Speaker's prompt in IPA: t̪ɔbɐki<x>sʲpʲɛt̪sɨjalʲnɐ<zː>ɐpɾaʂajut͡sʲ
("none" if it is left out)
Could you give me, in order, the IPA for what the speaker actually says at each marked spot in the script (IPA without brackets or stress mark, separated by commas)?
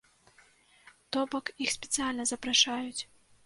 x, z